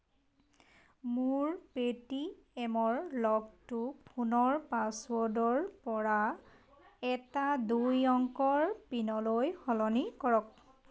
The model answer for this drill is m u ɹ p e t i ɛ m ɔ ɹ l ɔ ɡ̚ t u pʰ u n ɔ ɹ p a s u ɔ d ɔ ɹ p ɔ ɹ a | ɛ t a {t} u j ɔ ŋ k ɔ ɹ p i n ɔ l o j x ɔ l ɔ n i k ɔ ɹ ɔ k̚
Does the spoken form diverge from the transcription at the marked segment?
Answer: yes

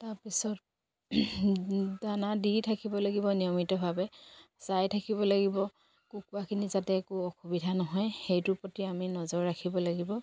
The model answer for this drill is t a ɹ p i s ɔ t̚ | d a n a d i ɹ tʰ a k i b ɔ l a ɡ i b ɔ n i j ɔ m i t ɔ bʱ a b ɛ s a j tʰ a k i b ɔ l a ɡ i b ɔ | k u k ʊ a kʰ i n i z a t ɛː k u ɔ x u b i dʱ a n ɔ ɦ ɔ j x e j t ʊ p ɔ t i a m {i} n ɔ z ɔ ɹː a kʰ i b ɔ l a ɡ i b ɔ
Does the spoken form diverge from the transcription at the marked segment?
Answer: no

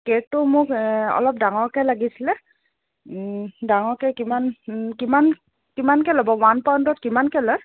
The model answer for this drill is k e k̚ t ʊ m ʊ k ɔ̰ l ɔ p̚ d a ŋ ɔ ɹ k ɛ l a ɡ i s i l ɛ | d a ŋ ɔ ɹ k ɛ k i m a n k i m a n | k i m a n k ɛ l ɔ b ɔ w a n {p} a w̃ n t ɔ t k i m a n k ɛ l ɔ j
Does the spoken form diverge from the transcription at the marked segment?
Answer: no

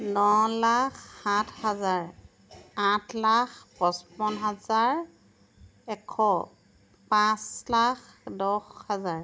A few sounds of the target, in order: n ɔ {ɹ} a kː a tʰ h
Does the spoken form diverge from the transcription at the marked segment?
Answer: yes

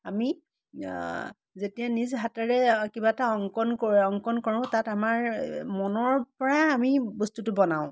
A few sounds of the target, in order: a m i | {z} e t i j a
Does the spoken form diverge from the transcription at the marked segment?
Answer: no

